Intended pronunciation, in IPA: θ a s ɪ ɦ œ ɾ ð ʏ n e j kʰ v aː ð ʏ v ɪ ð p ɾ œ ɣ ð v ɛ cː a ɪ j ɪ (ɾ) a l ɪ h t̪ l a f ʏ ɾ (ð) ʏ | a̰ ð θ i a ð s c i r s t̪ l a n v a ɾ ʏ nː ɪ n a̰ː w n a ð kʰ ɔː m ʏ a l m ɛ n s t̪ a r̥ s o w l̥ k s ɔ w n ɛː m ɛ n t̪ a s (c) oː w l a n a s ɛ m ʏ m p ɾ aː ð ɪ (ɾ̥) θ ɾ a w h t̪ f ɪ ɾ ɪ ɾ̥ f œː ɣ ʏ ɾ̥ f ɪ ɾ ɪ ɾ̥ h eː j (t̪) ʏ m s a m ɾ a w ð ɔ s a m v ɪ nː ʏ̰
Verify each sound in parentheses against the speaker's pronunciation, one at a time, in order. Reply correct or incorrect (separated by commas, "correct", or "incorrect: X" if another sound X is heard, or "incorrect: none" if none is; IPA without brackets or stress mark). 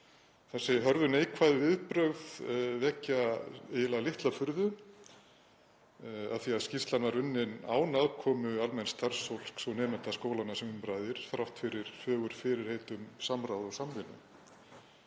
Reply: incorrect: l, correct, incorrect: k, correct, correct